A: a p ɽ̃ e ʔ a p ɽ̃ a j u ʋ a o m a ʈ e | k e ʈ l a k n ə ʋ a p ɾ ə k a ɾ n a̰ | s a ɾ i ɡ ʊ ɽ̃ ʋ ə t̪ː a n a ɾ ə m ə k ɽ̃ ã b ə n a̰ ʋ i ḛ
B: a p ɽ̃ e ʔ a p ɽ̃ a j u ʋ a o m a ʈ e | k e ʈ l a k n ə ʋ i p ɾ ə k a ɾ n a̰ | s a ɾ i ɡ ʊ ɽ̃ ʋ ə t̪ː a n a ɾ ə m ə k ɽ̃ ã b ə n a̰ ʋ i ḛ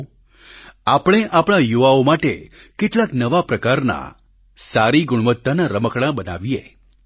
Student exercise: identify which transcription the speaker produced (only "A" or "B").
A